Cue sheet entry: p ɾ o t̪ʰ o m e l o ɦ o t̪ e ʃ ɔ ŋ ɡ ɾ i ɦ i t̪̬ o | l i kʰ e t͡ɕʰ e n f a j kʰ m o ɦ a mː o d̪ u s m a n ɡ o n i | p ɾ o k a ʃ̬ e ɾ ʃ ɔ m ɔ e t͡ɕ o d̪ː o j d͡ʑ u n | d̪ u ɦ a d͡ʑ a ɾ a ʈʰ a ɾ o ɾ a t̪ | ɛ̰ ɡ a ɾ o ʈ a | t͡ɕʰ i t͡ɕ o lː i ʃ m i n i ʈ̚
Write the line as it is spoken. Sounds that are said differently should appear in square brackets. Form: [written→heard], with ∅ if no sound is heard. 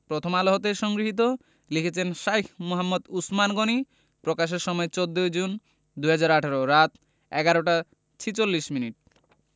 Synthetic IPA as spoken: p ɾ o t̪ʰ o m [e→a] l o ɦ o t̪ e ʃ ɔ ŋ ɡ ɾ i ɦ i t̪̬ o | l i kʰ e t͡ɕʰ e n [f→ʃ] a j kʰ m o ɦ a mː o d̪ u s m a n ɡ o n i | p ɾ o k a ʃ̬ e ɾ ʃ ɔ m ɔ e t͡ɕ o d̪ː o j d͡ʑ u n | d̪ u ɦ a d͡ʑ a ɾ a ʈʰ a ɾ o ɾ a t̪ | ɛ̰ ɡ a ɾ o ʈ a | t͡ɕʰ i t͡ɕ o lː i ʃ m i n i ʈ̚